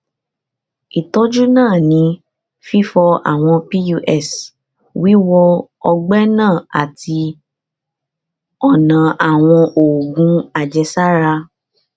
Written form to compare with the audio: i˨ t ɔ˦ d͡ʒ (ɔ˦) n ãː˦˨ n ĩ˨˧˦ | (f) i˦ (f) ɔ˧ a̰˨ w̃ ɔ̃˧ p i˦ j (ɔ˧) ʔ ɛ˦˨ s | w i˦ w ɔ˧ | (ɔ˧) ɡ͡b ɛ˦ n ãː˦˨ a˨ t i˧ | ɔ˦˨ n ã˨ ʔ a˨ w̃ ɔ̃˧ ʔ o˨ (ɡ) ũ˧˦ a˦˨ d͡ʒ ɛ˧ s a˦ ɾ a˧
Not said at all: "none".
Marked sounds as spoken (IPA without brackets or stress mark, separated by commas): u˦, f, f, u˧, ɔ˧, ɡ